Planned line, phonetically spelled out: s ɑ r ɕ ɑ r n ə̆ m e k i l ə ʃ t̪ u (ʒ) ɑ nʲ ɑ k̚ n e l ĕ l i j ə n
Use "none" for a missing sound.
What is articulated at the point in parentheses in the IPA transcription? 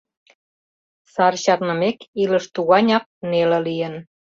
ɣ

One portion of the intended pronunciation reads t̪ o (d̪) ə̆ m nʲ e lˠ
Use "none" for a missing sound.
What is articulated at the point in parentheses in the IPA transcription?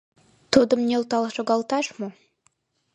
d̪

